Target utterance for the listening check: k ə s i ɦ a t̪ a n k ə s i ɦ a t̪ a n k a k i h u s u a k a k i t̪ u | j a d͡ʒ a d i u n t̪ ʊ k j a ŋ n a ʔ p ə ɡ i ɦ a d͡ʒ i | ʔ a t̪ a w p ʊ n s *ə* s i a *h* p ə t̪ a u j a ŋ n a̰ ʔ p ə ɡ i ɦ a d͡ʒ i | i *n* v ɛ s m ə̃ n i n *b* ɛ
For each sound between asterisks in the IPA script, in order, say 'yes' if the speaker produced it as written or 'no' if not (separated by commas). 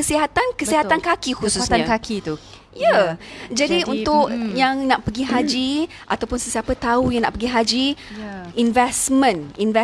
yes, no, yes, no